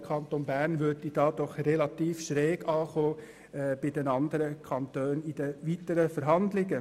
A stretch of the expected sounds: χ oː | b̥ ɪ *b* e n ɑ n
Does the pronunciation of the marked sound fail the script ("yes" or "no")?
yes